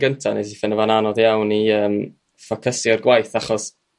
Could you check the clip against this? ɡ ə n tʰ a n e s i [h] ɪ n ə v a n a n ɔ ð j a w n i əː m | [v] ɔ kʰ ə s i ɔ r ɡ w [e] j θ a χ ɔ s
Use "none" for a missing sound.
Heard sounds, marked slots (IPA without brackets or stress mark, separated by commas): f, f, a